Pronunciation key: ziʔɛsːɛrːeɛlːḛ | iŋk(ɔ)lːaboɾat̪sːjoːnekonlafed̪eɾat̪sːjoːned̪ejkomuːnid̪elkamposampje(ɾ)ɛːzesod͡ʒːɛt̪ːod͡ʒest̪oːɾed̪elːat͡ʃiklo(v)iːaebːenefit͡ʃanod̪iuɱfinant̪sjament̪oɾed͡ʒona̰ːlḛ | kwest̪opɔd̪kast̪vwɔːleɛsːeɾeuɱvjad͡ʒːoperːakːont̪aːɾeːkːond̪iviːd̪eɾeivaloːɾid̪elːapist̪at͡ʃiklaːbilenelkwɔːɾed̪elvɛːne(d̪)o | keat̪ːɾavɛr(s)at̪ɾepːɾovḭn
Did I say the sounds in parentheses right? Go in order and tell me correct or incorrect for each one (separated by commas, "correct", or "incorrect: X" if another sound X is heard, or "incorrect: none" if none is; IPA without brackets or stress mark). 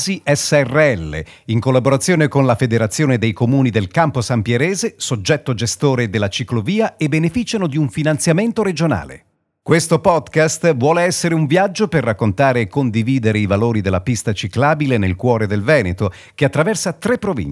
incorrect: o, correct, correct, incorrect: t̪, correct